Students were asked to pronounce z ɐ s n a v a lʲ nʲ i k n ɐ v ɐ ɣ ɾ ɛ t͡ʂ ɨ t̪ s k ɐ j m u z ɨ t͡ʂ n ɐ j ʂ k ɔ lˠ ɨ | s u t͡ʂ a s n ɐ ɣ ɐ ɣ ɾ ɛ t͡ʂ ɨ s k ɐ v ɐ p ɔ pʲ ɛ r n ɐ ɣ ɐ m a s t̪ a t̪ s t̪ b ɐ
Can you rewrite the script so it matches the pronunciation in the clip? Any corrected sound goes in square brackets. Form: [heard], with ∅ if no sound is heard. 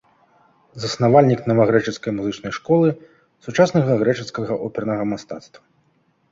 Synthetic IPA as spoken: z ɐ s n a v a lʲ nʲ i k n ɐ v ɐ ɣ ɾ ɛ t͡ʂ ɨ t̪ s k ɐ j m u z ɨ t͡ʂ n ɐ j ʂ k ɔ lˠ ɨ | s u t͡ʂ a s n ɐ ɣ ɐ ɣ ɾ ɛ t͡ʂ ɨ s k ɐ [ɣ] ɐ [ʔ] ɔ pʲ ɛ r n ɐ ɣ ɐ m a s t̪ a t̪ s t̪ [v] ɐ